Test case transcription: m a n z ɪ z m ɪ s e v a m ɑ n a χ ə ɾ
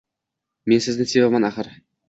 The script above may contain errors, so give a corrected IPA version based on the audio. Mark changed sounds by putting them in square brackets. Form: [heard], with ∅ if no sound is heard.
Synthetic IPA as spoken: m [e] n [s] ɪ z [n] ɪ s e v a m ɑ n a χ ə ɾ